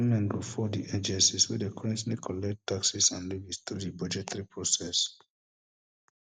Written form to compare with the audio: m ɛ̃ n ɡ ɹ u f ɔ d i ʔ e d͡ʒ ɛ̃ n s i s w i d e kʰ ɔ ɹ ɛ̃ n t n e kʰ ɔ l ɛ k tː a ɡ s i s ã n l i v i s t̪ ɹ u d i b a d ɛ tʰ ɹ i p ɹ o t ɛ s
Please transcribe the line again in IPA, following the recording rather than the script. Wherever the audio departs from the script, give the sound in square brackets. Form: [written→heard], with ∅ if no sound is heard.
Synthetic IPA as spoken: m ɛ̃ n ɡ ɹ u f ɔ d i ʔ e d͡ʒ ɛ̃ n s i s w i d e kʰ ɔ ɹ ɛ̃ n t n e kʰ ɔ l ɛ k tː a [ɡ→k] s i s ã n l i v i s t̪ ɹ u d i b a [d→d͡ʒ] ɛ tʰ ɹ i p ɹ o [t→s] ɛ s